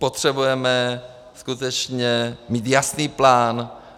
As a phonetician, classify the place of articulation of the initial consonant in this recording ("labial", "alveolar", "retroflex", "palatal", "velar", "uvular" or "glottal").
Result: labial